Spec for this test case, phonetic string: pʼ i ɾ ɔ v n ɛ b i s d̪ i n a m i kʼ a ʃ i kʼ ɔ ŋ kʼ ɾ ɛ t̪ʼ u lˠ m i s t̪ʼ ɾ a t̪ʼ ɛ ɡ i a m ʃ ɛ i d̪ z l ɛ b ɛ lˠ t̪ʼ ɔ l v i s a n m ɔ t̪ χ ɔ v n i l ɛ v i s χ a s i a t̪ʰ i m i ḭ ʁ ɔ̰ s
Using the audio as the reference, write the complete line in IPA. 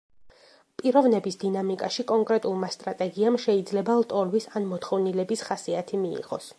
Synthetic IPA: pʼ i ɾ ɔ v n ɛ b i s d̪ i n a m i kʼ a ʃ i kʼ ɔ ŋ kʼ ɾ ɛ t̪ʼ u lˠ m a s t̪ʼ ɾ a t̪ʼ ɛ ɡ i a m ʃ ɛ i d̪ z l ɛ b a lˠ t̪ʼ ɔ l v i s a n m ɔ t̪ χ ɔ v n i l ɛ b i s χ a s i a t̪ʰ i m i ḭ ʁ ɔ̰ s